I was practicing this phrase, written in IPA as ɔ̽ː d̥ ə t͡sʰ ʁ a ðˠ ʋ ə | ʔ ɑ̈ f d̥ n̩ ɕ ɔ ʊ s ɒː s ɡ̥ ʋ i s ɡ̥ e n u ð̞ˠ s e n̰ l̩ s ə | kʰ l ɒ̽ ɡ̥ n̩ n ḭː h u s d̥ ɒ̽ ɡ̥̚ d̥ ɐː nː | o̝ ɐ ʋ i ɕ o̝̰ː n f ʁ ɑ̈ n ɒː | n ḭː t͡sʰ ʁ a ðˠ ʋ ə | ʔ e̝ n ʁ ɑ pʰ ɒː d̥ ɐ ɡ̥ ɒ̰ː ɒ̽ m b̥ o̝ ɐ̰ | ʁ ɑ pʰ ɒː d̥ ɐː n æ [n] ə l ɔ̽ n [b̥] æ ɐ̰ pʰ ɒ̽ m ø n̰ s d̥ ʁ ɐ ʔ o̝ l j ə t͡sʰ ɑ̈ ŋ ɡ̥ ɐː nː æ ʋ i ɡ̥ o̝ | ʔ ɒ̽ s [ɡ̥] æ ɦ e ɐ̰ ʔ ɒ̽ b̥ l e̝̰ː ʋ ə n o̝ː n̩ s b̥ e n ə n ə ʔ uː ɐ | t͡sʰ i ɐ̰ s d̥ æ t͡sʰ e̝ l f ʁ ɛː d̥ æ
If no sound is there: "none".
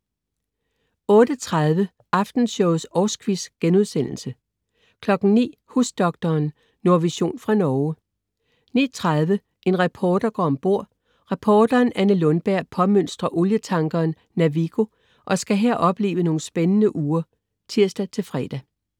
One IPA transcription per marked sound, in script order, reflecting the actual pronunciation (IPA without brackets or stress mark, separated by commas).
n, b̥, ɡ̥